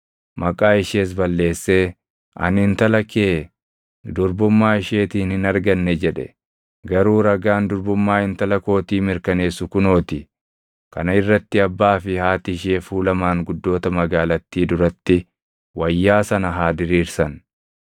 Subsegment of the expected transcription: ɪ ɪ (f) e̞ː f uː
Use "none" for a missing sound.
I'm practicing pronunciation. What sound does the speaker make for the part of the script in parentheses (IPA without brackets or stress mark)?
ʃ